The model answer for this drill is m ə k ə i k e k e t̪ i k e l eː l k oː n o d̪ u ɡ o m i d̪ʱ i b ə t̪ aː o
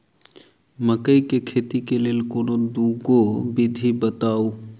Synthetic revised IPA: m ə k ə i k e kʰ e t̪ i k e l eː l k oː n o d̪ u ɡ o b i d̪ʱ i b ə t̪ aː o